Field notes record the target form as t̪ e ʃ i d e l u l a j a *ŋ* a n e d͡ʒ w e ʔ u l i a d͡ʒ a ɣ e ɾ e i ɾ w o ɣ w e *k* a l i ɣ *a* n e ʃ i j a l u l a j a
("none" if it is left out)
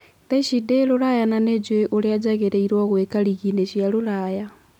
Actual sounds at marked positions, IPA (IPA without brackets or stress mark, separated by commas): n, k, i